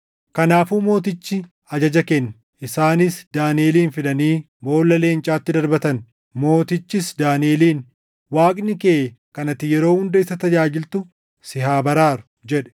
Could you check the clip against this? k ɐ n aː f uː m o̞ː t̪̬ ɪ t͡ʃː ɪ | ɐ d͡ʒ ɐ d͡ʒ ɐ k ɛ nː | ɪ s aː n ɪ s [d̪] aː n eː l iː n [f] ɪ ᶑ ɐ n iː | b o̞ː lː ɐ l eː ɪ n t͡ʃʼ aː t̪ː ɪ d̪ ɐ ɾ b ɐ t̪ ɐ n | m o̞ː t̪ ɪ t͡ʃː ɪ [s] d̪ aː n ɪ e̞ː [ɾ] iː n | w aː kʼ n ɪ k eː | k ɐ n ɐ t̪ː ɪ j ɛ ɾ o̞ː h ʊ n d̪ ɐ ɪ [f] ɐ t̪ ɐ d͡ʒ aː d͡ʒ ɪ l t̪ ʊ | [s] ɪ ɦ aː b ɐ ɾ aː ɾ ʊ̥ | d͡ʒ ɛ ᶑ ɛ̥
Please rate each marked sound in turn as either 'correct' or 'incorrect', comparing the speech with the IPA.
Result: correct, correct, correct, incorrect, incorrect, correct

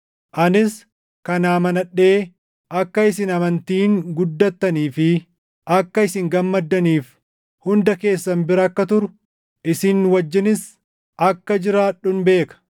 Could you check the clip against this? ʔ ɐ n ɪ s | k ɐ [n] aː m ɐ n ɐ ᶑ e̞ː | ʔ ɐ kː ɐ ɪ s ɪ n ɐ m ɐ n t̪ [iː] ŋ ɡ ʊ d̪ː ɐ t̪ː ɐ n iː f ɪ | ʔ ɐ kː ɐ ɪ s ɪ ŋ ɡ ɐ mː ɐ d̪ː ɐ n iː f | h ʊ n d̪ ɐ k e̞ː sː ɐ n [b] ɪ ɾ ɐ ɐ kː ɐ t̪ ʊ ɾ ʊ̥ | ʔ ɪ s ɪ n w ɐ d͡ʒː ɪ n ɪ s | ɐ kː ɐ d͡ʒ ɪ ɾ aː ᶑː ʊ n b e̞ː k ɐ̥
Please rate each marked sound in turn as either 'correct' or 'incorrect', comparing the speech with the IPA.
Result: correct, correct, correct

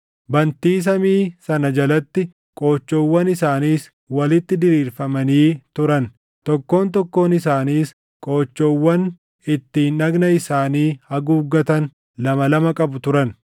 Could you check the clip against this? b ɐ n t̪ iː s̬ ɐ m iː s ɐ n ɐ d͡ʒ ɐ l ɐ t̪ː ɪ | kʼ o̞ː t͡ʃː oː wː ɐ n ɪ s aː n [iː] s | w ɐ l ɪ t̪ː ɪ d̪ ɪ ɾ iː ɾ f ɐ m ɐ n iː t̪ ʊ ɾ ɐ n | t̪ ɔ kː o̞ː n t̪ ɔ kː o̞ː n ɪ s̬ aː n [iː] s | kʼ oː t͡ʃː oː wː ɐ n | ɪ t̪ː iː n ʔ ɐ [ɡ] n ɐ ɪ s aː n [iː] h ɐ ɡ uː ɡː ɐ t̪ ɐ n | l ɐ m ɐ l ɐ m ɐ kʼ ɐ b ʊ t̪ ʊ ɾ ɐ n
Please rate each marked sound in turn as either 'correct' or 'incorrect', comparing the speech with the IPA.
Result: correct, correct, correct, correct

